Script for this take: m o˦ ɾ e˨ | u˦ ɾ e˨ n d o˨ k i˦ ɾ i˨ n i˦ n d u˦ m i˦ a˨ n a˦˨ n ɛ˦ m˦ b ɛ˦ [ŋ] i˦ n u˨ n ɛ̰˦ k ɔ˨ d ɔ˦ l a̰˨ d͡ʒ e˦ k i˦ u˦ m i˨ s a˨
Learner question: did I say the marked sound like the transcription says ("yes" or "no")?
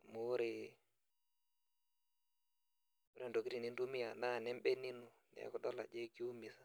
no